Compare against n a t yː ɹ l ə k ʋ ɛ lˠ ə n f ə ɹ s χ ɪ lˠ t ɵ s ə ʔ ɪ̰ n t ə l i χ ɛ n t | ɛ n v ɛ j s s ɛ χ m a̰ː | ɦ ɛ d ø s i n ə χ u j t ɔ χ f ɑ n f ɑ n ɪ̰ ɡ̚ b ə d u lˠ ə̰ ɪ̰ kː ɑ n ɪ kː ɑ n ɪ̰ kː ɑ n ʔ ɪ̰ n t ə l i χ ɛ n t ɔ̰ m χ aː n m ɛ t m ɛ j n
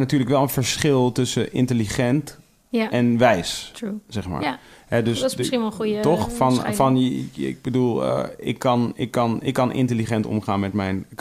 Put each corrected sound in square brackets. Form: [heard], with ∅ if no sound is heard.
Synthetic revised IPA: n a t yː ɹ l ə k ʋ ɛ lˠ ə n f ə ɹ s χ ɪ lˠ t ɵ s ə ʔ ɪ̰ n t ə l i χ ɛ n t | ɛ n [ʋ] ɛ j s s ɛ χ m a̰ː | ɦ ɛ d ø s i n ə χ u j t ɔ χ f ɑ n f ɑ n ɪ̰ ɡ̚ b ə d u lˠ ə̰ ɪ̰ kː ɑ n ɪ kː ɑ n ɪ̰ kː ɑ n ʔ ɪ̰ n t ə l i χ ɛ n t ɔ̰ m χ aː n m ɛ t m ɛ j n